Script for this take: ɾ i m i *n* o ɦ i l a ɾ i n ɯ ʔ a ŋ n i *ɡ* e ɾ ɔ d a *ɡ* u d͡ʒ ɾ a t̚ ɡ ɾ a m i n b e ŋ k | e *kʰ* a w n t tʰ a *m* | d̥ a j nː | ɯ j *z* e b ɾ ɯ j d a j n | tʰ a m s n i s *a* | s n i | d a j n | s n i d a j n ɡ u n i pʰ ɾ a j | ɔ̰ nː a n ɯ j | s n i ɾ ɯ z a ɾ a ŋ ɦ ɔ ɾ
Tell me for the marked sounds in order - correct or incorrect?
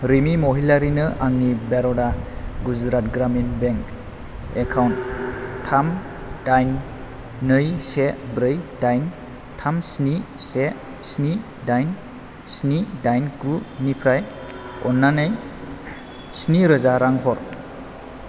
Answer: incorrect: m, incorrect: b, correct, correct, correct, incorrect: s, incorrect: e

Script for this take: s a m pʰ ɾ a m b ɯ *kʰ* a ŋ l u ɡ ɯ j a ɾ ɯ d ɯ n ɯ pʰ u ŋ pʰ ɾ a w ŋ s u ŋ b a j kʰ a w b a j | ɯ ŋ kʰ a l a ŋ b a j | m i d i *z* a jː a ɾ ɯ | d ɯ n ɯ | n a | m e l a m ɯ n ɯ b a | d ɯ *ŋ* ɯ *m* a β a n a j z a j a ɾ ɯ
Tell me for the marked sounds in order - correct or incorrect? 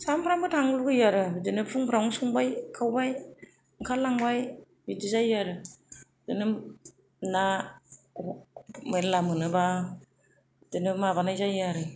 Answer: incorrect: tʰ, correct, incorrect: n, correct

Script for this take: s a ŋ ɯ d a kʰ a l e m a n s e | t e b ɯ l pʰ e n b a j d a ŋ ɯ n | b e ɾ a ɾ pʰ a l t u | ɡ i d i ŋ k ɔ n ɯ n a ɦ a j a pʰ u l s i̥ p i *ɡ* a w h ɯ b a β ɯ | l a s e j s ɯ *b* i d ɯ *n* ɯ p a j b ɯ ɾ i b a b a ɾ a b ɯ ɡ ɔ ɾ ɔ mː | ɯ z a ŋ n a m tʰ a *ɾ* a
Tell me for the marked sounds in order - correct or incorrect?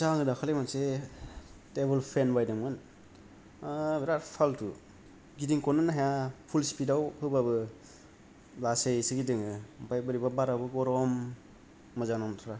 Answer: incorrect: d, incorrect: ɡ, incorrect: ŋ, correct

